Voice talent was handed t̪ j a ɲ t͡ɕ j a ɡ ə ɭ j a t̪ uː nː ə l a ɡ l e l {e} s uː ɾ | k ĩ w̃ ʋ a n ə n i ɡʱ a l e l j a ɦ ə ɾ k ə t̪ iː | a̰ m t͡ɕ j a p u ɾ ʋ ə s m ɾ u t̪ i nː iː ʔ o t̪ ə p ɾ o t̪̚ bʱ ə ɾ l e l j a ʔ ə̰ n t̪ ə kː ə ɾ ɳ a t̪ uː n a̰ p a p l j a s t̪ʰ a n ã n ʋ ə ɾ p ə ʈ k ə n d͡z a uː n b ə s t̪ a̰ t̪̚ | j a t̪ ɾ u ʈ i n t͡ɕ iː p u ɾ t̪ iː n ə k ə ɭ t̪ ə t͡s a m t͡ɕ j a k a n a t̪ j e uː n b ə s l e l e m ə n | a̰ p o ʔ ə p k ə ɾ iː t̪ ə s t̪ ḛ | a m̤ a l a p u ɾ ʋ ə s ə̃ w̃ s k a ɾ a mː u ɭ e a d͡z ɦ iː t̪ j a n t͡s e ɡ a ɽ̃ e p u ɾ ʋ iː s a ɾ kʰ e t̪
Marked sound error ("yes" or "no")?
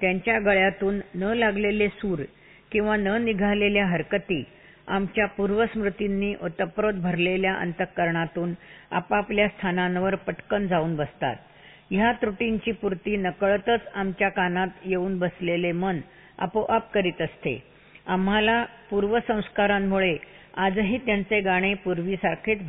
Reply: no